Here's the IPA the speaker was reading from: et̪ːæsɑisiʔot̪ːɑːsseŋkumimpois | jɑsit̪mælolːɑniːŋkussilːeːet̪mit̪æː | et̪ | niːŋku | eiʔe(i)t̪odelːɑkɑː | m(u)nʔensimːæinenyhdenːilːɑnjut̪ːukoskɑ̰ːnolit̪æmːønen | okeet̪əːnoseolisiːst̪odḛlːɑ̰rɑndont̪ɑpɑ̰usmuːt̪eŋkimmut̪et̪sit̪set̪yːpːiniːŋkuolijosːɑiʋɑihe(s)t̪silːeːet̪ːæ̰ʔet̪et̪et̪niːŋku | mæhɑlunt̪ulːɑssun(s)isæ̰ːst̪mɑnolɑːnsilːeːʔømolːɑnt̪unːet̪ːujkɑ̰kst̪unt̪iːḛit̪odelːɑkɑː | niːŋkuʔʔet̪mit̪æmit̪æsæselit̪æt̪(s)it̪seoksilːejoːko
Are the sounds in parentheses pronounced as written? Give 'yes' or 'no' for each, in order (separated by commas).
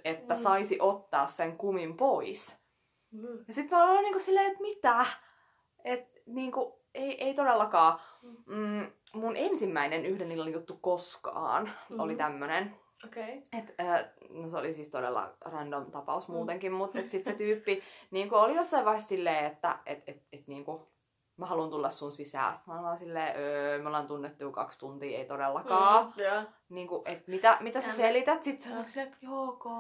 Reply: yes, yes, yes, yes, yes